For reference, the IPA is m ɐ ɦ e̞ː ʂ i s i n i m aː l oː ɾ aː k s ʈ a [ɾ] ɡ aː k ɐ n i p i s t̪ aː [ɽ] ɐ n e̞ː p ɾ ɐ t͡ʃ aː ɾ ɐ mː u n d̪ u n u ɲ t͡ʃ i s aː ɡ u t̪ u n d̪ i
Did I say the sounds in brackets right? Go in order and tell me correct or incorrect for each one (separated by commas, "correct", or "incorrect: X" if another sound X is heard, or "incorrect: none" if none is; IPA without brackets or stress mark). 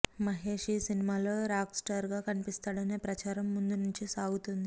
correct, correct